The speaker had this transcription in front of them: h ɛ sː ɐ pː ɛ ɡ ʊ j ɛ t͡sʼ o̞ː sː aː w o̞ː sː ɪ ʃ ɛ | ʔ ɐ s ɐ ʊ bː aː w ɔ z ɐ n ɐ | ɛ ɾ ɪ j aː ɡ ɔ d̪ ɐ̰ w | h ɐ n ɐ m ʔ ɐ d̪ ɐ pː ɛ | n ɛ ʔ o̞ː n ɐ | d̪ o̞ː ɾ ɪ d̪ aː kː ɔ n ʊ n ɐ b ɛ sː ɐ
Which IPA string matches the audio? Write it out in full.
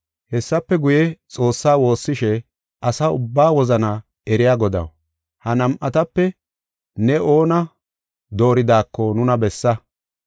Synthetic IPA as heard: h ɛ sː ɐ pː ɛ ɡ ʊ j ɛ t͡sʼ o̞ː sː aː w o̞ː sː ɪ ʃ ɛ | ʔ ɐ s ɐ ʊ bː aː w ɔ z ɐ n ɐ | ɛ ɾ ɪ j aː ɡ ɔ d̪ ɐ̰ w | h ɐ n ɐ m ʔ ɐ t̪ ɐ pː ɛ | n ɛ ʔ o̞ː n ɐ | d̪ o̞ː ɾ ɪ d̪ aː kː ɔ n ʊ n ɐ b ɛ sː ɐ